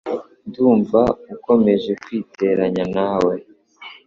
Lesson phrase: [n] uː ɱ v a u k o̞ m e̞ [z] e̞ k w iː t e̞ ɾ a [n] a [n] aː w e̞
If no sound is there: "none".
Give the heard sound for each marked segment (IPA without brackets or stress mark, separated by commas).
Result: d, ʒ, ɲ, n